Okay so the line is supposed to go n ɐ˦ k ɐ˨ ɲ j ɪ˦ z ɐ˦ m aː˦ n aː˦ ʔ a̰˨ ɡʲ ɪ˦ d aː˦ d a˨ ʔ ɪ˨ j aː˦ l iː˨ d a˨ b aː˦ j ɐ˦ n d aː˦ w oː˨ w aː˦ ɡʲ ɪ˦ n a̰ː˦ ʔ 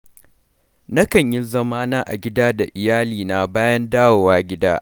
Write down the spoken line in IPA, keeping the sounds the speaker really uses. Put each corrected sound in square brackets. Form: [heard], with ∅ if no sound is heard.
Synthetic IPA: n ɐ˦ k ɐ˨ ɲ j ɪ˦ z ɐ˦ m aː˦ n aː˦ ʔ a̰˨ ɡʲ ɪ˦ d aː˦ d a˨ ʔ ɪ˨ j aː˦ l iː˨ [n] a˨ b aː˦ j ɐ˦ n d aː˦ w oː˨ w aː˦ ɡʲ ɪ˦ [d] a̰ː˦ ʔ

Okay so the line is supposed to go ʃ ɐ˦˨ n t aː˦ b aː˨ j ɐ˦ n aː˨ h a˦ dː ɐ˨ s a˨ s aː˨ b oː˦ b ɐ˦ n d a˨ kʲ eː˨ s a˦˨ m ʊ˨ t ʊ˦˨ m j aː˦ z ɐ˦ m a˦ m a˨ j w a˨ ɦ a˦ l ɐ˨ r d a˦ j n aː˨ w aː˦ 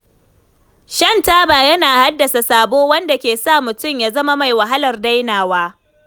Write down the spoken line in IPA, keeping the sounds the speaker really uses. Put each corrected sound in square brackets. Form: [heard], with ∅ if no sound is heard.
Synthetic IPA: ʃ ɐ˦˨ n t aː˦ b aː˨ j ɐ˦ n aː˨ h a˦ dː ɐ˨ s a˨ s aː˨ b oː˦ [w] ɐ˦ n d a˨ kʲ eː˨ s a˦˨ m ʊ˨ t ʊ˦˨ m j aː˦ z ɐ˦ m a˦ m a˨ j w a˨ ɦ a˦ l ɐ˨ r d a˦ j n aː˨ w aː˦

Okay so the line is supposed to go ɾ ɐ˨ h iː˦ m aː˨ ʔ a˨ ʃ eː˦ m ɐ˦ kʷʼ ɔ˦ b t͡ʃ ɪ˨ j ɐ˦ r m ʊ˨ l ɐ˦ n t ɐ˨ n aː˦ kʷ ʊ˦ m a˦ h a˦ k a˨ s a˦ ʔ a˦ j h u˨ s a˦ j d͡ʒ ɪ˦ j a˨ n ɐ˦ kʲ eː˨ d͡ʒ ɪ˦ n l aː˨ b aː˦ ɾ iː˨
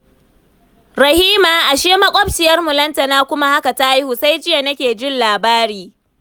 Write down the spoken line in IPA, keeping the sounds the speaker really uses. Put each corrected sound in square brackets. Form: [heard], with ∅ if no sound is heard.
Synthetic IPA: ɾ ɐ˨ h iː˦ m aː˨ ʔ a˨ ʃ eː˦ m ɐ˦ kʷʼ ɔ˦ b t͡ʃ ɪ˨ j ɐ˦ r m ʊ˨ l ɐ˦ n t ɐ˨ n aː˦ kʷ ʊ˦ m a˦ h a˦ k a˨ [t] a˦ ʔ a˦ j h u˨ s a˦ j d͡ʒ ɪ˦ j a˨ n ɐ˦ kʲ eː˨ d͡ʒ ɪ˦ n l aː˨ b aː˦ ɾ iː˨

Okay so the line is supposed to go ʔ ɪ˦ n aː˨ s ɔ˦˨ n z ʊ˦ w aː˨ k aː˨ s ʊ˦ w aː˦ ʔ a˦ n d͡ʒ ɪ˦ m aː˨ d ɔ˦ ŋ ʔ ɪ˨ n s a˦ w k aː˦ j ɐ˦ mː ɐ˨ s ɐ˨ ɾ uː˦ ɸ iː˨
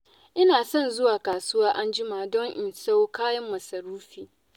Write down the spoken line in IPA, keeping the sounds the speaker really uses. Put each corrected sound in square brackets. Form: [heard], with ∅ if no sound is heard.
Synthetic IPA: ʔ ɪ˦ n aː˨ s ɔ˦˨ n z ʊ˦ w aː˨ k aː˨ s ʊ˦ w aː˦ ʔ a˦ n d͡ʒ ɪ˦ m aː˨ d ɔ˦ ŋ ʔ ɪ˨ n s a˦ w k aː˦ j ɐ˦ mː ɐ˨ s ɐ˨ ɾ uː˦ ɸ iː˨

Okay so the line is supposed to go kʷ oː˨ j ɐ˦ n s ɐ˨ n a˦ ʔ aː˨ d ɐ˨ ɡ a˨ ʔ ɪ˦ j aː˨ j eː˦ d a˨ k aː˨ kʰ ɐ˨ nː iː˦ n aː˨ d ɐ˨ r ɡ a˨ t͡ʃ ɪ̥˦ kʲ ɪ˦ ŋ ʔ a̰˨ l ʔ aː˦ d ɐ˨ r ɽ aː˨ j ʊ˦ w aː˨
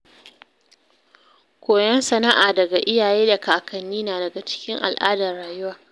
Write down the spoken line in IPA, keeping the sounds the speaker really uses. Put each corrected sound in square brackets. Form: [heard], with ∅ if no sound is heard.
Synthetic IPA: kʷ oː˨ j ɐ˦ n s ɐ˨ n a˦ ʔ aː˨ d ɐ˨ ɡ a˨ ʔ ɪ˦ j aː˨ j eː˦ d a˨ k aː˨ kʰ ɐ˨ nː iː˦ n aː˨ d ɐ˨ [∅] ɡ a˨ t͡ʃ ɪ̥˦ kʲ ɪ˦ ŋ ʔ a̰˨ l ʔ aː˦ d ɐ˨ r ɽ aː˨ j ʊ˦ w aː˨

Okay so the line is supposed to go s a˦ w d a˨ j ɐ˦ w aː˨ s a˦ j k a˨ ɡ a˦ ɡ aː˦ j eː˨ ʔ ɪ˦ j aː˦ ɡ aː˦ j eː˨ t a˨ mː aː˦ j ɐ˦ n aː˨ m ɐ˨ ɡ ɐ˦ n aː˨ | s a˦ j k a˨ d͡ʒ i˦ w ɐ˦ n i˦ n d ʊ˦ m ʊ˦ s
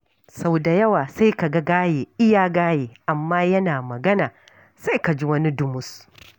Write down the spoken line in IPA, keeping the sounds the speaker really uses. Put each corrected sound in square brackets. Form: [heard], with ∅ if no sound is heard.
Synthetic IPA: s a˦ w d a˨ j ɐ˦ w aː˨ s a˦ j k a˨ ɡ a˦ ɡ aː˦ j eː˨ ʔ ɪ˦ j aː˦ ɡ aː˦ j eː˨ [ʔ] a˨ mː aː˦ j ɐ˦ n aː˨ m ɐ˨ ɡ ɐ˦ n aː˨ | s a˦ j k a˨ d͡ʒ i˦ w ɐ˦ n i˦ [∅] d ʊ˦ m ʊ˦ s

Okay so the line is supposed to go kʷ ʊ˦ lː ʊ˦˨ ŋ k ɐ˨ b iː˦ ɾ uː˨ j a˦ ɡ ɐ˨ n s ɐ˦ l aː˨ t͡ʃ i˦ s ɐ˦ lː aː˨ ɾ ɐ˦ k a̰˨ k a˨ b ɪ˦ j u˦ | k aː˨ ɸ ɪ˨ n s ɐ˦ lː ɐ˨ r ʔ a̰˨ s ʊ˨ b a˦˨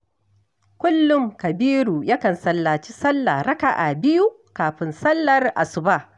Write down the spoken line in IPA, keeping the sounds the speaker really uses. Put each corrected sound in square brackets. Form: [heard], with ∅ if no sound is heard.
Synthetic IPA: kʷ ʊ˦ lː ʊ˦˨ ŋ k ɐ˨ b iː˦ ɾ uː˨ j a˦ [k] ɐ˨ n s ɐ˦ [lː] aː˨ t͡ʃ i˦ s ɐ˦ lː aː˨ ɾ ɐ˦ k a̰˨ [ʔ] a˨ b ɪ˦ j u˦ | k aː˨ ɸ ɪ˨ n s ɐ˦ lː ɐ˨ r ʔ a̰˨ s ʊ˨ b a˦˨

